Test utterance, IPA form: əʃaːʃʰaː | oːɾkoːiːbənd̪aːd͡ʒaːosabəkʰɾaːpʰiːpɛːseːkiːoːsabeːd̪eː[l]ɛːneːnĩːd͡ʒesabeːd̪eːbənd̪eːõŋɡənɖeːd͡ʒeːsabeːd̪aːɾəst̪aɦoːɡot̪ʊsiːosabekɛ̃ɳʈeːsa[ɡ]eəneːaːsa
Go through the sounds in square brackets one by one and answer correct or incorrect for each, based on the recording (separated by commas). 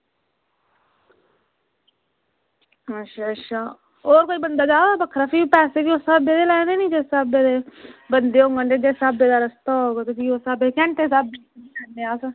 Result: correct, incorrect